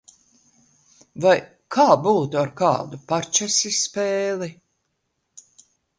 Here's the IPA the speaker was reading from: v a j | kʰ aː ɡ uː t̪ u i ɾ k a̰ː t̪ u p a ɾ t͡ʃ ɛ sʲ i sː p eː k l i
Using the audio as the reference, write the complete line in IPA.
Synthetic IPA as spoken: v a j | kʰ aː b uː t̪ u a ɾ k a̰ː d̪ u p a ɾ t͡ʃ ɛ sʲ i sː p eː l i

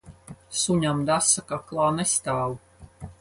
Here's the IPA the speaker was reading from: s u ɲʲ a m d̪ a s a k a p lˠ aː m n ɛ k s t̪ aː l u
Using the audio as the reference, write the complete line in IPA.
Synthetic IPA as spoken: s u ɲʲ a m d̪ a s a k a k lˠ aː n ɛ s t̪ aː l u

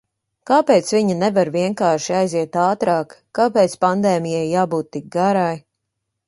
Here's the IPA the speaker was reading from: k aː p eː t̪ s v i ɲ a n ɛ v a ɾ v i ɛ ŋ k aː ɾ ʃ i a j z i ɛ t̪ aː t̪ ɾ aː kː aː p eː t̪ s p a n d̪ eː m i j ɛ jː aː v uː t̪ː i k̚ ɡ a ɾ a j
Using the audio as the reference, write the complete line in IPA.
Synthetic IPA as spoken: k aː p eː t̪ s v i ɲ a n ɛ v a ɾ v i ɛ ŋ k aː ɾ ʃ i a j z i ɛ t̪ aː t̪ ɾ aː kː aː p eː t̪ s p a n d̪ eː m i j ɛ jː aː b uː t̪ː i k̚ ɡ a ɾ a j

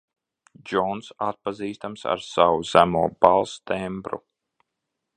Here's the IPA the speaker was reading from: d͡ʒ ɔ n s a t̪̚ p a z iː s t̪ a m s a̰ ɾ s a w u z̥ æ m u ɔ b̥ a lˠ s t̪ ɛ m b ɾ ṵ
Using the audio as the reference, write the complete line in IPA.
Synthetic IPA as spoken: d͡ʒ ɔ n s a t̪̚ p a z iː s t̪ a m s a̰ ɾ s a w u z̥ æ m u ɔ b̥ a lˠ s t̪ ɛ m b ɾ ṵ

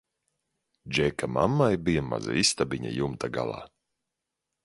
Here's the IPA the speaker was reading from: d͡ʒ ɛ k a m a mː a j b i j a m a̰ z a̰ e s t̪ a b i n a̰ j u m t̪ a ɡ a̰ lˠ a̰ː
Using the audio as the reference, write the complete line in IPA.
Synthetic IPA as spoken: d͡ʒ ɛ k a m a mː a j b i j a m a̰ z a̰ i s t̪ a b i ɲ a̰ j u m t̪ a ɡ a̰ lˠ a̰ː

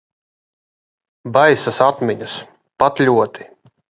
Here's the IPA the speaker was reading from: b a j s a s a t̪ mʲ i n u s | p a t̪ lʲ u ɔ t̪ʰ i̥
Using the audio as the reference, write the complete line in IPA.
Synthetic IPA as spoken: b a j s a s a t̪ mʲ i ɲ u s | p a t̪ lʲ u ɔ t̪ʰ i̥

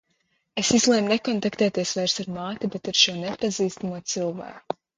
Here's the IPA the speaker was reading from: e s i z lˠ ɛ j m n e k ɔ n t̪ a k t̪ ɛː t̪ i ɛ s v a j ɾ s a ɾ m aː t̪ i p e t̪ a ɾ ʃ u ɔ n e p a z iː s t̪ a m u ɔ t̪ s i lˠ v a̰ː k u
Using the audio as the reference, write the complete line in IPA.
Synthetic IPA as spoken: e s i z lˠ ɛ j m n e k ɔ n t̪ a k t̪ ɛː t̪ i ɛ s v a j ɾ s a ɾ m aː t̪ i b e t̪ a ɾ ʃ u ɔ n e p a z iː s t̪ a m u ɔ t̪ s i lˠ v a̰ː k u

